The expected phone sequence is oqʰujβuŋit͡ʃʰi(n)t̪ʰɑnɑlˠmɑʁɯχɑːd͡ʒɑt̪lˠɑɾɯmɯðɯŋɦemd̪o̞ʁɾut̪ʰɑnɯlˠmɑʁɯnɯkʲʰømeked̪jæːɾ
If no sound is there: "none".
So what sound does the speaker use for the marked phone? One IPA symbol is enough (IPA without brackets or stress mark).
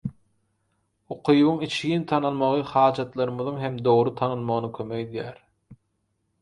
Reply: n